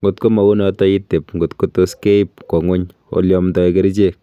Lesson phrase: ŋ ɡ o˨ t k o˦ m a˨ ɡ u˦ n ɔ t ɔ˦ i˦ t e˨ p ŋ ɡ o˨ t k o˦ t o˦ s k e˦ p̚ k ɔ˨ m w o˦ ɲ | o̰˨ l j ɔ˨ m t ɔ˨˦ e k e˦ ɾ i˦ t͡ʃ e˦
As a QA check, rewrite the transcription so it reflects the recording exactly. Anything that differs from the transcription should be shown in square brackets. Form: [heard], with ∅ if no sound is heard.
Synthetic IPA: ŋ ɡ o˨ t k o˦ m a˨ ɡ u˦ n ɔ t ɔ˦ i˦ t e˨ p ŋ ɡ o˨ t k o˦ t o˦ s k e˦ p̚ k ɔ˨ [ŋ] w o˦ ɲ | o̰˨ l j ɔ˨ m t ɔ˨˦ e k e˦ ɾ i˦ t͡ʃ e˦